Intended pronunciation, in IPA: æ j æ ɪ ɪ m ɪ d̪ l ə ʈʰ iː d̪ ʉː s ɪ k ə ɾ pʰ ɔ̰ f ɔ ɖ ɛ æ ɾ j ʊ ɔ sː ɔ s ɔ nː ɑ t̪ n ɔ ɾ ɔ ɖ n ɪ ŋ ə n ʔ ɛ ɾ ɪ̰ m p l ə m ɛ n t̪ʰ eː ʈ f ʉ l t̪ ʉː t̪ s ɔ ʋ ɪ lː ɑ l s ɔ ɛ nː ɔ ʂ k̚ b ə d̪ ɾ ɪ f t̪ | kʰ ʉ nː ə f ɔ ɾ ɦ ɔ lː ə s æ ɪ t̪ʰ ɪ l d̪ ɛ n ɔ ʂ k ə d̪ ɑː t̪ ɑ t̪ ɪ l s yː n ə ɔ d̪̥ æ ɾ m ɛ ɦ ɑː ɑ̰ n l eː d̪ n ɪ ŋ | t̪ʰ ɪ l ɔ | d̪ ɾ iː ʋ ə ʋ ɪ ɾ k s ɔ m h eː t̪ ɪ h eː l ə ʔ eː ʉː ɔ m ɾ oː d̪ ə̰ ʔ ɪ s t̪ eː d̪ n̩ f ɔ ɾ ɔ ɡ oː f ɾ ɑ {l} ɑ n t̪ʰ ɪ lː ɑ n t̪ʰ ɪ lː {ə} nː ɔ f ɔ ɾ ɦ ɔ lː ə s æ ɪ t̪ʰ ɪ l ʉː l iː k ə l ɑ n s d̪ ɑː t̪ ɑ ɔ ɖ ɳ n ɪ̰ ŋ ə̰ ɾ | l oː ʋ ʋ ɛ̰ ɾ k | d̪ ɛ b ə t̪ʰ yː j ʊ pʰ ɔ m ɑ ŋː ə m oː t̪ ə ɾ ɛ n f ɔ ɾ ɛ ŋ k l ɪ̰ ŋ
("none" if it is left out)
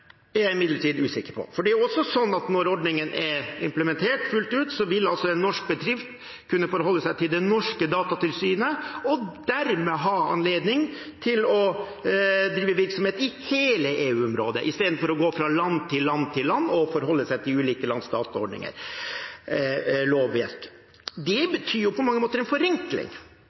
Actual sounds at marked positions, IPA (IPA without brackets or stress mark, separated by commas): l, ɑ